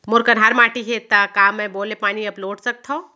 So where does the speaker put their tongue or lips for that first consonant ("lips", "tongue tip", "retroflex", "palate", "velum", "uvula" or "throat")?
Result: lips